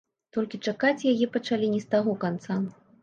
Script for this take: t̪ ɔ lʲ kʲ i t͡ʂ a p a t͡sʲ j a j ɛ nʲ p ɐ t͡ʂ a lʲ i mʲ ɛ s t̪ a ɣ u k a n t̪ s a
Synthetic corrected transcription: t̪ ɔ lʲ kʲ i t͡ʂ a k a t͡sʲ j a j ɛ p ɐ t͡ʂ a lʲ i nʲ ɛ s t̪ a ɣ ɔ k a n t̪ s a